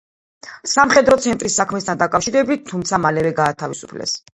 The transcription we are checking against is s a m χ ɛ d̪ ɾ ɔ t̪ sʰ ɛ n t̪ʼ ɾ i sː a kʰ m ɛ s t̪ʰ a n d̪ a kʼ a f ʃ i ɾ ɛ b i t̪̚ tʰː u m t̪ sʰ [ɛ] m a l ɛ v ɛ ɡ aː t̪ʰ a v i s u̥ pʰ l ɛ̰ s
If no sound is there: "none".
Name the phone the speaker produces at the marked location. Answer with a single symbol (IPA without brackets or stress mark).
a